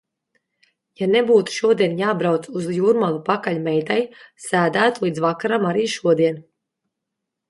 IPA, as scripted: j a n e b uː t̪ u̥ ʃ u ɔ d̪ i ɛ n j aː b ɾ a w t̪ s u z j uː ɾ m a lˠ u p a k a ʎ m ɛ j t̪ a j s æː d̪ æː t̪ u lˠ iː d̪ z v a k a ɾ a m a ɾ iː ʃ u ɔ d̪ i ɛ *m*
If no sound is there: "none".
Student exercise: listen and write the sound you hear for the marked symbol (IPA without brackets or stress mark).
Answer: n